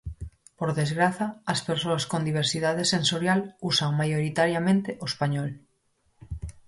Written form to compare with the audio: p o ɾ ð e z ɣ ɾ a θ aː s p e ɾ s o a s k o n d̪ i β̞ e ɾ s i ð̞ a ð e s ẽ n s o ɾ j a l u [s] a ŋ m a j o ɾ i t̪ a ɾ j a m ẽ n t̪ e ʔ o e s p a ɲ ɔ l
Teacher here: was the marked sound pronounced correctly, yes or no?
yes